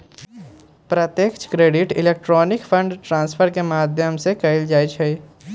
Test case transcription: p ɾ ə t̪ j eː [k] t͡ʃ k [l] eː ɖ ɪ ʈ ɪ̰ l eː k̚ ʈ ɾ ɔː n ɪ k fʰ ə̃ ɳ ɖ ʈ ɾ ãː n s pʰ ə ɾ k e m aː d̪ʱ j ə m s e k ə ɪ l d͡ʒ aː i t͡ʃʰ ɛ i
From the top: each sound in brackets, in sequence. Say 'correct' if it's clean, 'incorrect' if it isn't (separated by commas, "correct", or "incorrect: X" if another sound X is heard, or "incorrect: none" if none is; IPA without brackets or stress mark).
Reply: correct, incorrect: ɾ